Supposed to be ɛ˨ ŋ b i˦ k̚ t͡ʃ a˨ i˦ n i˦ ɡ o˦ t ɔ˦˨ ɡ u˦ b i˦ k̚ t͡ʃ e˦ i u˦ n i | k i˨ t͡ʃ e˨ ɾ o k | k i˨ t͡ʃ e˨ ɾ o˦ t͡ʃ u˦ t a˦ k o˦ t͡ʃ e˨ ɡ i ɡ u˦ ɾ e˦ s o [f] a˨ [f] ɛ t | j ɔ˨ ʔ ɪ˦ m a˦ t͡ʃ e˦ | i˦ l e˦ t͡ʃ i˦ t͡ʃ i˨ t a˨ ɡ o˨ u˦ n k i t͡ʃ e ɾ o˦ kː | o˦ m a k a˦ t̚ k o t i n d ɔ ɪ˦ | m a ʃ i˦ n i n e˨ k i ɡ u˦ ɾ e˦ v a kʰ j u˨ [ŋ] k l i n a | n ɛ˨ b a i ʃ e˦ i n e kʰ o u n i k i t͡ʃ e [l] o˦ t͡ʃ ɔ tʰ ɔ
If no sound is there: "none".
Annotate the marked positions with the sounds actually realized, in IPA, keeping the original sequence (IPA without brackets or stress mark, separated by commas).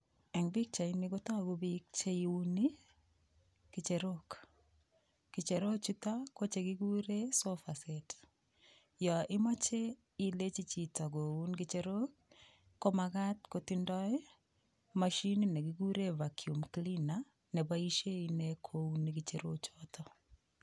f, s, m, ɾ